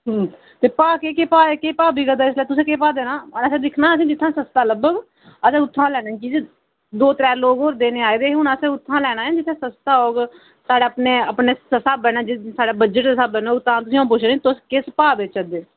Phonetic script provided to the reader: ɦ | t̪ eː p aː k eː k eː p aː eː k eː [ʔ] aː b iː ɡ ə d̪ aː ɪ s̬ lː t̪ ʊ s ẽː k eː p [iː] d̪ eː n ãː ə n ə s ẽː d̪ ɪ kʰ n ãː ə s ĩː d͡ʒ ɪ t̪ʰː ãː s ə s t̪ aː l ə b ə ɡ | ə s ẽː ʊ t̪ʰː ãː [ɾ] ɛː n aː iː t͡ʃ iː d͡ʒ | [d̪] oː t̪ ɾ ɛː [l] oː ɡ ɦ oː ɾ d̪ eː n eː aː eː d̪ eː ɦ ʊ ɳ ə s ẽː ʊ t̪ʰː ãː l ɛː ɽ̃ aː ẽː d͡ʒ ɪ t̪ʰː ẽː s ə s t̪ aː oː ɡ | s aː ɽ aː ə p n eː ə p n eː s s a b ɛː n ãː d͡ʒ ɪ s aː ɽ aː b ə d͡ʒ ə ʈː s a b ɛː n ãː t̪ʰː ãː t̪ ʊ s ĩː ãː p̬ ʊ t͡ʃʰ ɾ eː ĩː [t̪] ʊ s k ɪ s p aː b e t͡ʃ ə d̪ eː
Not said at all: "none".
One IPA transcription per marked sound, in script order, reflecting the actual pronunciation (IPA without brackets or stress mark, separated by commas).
p, aː, l, d̪, l, t̪